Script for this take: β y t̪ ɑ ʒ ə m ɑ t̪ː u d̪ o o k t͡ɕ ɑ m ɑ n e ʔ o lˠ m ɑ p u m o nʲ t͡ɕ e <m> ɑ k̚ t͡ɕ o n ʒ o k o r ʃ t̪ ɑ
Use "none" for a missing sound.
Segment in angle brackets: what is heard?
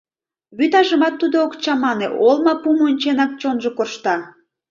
n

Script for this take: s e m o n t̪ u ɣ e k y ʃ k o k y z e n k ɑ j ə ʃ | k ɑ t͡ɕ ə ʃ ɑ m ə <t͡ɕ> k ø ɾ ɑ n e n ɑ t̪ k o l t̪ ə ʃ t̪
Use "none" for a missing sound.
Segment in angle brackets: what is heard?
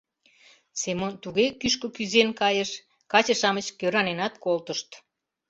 t͡ɕ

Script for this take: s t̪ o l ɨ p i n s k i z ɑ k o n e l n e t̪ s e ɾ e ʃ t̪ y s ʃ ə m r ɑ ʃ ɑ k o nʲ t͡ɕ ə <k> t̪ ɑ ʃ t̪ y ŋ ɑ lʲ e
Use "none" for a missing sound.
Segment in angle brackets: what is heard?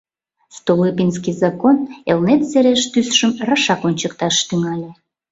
k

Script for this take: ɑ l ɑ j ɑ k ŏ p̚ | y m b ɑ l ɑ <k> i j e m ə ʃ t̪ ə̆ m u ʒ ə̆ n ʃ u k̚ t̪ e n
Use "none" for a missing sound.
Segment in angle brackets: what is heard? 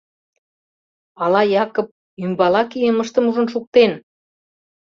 k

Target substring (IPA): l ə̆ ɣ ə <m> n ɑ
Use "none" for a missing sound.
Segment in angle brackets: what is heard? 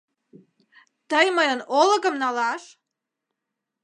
m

